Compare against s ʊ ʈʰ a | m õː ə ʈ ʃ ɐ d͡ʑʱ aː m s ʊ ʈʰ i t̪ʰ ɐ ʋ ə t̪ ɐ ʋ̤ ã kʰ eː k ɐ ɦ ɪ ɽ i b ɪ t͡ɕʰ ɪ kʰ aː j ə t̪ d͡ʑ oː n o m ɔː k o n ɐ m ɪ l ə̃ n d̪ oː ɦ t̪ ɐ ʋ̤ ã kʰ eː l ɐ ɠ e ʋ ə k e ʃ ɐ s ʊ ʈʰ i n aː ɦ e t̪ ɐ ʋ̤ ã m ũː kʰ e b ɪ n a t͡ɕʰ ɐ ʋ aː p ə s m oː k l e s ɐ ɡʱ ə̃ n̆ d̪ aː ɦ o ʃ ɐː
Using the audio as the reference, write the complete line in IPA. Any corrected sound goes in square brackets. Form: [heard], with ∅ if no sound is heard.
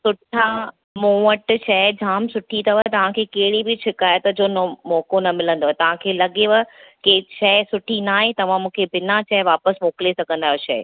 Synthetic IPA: s ʊ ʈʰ a | m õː ə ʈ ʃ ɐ d͡ʑʱ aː m s ʊ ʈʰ i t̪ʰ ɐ ʋ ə t̪ ɐ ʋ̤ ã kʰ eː k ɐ ɦ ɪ ɽ i b ɪ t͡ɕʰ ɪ [k] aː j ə t̪ d͡ʑ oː n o m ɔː k o n ɐ m ɪ l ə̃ n d̪ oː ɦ t̪ ɐ ʋ̤ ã kʰ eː l ɐ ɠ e ʋ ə k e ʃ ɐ s ʊ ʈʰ i n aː ɦ e t̪ ɐ ʋ̤ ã m ũː kʰ e b ɪ n a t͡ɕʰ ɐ ʋ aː p ə s m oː k l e s ɐ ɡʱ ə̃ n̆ d̪ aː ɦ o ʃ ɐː

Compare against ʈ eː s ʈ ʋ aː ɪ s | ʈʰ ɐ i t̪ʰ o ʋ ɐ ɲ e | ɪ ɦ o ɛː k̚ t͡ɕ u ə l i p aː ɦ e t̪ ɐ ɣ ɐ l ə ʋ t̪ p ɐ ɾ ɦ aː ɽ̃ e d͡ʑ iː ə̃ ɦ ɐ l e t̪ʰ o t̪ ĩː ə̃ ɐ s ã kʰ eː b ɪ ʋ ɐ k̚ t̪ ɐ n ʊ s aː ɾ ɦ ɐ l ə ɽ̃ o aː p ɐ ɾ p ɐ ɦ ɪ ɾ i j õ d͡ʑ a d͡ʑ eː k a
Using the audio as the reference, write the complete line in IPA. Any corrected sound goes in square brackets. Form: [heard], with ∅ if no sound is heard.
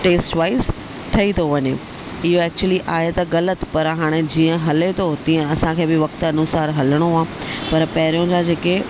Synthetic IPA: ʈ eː s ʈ ʋ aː ɪ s | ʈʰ ɐ i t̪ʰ o ʋ ɐ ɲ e | ɪ ɦ o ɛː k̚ t͡ɕ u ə l i [ʔ] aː ɦ e t̪ ɐ ɣ ɐ l ə [∅] t̪ p ɐ ɾ ɦ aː ɽ̃ e d͡ʑ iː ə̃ ɦ ɐ l e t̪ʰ o t̪ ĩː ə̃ ɐ s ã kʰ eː b ɪ ʋ ɐ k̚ t̪ ɐ n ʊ s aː ɾ ɦ ɐ l ə ɽ̃ o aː p ɐ ɾ p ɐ ɦ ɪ ɾ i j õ d͡ʑ a d͡ʑ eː k [e]

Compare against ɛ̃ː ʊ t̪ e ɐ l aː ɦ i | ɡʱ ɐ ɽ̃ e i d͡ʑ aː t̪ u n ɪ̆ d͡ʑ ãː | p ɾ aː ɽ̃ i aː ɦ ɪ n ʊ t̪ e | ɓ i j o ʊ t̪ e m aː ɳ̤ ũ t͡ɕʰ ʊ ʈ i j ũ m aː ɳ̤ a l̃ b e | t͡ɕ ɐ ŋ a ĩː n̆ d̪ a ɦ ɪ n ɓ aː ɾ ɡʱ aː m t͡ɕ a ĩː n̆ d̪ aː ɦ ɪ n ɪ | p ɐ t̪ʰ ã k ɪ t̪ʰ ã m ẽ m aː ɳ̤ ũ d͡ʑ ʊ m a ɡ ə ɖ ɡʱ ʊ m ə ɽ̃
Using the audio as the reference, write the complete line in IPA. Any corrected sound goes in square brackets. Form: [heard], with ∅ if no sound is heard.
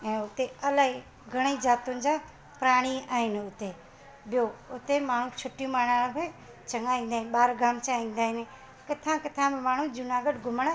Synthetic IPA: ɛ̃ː ʊ t̪ e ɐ l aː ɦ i | ɡʱ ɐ ɽ̃ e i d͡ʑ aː t̪ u n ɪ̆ d͡ʑ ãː | p ɾ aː ɽ̃ i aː ɦ ɪ n ʊ t̪ e | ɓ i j o ʊ t̪ e m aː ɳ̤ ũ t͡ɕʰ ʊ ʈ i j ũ m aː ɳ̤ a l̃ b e | t͡ɕ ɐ ŋ a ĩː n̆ d̪ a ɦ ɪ n ɓ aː ɾ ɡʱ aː m t͡ɕ a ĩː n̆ d̪ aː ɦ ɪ n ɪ | [k] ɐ t̪ʰ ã k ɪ t̪ʰ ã m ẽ m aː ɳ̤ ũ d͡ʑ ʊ [n] a ɡ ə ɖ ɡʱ ʊ m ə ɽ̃

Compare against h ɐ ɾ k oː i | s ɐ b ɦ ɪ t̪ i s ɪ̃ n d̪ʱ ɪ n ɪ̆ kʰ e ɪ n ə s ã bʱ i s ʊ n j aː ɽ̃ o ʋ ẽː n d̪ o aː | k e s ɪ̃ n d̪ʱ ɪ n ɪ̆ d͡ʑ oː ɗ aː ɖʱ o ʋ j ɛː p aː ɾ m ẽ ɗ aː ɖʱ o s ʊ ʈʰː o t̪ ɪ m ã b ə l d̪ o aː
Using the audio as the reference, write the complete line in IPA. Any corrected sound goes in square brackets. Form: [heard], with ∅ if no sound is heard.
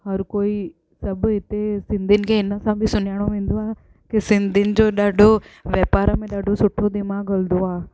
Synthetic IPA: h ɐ ɾ k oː i | s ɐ b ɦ ɪ t̪ [e] s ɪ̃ n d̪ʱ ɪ n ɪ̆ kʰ e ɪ n ə s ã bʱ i s ʊ n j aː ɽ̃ o ʋ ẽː n d̪ o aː | k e s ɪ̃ n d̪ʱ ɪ n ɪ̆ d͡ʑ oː ɗ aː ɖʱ o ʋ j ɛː p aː ɾ m ẽ ɗ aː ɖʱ o s ʊ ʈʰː o [d̪] ɪ m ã [ɡ] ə l d̪ o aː

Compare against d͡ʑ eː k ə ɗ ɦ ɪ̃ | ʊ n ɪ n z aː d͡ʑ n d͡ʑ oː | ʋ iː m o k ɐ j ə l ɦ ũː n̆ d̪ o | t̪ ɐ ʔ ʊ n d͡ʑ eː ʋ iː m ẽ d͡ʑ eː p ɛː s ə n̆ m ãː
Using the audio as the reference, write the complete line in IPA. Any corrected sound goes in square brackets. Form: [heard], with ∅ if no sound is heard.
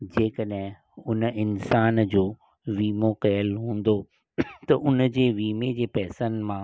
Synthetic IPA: d͡ʑ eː k ə ɗ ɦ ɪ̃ | ʊ n ɪ n [s] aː [∅] n d͡ʑ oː | ʋ iː m o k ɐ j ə l ɦ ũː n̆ d̪ o | t̪ ɐ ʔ ʊ n d͡ʑ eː ʋ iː m [e] d͡ʑ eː p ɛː s ə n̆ m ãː

